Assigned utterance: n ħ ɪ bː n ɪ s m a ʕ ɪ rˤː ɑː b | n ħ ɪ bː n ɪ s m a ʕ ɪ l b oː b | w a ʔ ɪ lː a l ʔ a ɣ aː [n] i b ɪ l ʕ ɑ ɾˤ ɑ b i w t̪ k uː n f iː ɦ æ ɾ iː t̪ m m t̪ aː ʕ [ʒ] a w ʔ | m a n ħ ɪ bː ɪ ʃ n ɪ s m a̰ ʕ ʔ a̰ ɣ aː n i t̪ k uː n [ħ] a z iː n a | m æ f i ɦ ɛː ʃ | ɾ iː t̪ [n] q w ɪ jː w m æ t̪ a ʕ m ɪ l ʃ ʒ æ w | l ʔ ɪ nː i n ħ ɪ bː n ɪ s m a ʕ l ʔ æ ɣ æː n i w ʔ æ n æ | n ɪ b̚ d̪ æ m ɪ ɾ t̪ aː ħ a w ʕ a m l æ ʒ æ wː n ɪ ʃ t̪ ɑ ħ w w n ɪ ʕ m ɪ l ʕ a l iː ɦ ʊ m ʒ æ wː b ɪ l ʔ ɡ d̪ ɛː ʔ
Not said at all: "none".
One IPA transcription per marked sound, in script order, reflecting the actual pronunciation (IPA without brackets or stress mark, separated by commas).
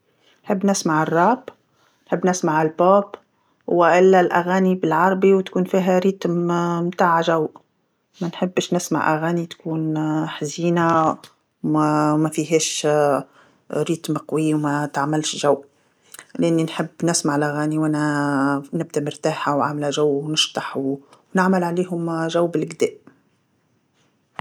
n, ʒ, ħ, m